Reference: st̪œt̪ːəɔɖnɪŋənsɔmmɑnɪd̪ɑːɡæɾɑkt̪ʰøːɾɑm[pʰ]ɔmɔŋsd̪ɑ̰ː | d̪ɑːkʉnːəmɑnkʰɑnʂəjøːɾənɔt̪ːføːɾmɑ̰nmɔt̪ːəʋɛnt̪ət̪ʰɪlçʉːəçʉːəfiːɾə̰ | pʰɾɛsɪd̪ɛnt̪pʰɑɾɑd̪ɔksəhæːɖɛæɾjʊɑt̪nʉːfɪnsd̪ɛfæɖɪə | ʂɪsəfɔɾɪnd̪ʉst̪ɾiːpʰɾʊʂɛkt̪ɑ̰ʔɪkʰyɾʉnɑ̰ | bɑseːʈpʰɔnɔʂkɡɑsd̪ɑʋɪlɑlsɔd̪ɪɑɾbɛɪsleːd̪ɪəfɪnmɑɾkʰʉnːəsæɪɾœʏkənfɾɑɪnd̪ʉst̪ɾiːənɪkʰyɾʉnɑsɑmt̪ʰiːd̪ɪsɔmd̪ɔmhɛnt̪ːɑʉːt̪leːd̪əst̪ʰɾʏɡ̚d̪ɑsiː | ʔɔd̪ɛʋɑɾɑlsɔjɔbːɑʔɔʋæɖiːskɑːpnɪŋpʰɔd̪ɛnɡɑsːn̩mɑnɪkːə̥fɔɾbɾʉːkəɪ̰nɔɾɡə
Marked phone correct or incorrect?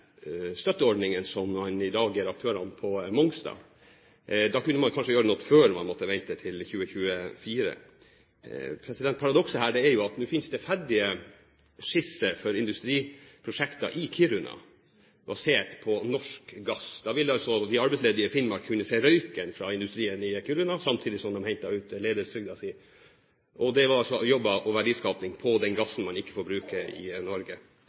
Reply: correct